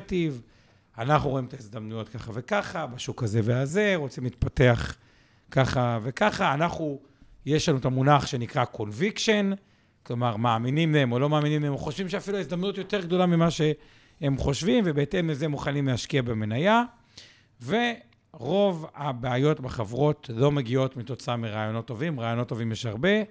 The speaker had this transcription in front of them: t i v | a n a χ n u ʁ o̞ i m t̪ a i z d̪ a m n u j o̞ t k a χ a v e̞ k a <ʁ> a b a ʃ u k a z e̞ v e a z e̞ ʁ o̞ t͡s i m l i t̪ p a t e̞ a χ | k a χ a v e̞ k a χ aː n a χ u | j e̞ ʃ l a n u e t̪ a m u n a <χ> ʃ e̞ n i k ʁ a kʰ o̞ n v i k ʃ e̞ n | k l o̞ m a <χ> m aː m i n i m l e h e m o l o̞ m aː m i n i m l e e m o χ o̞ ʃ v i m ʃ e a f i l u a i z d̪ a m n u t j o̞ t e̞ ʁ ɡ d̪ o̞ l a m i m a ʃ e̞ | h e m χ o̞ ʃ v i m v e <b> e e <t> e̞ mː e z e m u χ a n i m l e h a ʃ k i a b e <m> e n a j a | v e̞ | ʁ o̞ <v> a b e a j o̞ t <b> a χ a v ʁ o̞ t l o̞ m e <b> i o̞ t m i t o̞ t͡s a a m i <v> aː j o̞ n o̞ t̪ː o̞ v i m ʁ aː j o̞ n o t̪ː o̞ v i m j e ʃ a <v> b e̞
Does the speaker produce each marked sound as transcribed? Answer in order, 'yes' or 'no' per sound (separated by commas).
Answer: no, yes, no, yes, yes, yes, yes, yes, no, no, no